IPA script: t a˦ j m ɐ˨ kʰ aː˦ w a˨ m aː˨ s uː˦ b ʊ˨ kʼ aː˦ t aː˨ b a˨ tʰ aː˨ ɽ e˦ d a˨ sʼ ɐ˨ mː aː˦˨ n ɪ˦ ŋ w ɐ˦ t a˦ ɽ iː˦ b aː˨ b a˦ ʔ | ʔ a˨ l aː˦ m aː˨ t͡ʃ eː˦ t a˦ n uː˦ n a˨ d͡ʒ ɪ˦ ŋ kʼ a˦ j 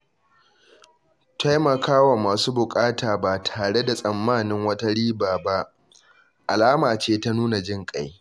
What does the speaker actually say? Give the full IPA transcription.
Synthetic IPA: t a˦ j m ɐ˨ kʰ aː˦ w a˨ m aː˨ s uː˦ b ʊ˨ kʼ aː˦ t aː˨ b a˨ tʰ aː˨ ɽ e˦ d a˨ sʼ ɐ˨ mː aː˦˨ n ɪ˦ ŋ w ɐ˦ t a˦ ɽ iː˦ b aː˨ b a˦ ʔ | ʔ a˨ l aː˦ m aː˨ t͡ʃ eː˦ t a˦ n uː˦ n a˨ d͡ʒ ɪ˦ ŋ kʼ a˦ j